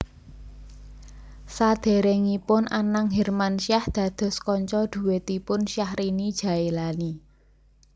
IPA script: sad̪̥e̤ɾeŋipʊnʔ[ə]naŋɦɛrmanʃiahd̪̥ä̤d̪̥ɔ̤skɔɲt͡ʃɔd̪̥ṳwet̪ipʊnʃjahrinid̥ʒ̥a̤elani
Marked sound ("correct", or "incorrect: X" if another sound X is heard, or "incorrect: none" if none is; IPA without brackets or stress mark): incorrect: a